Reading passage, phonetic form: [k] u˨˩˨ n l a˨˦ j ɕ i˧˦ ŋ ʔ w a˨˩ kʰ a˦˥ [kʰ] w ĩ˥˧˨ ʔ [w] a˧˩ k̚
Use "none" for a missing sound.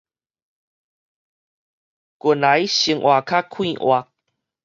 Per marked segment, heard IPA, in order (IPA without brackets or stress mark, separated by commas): k, kʰ, w